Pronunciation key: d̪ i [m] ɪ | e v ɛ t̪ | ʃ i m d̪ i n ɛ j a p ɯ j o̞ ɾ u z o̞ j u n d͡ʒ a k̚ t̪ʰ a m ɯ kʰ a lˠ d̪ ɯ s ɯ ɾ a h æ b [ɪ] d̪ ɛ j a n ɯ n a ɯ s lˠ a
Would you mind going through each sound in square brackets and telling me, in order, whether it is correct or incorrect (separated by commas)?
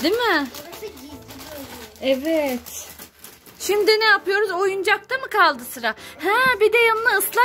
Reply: correct, incorrect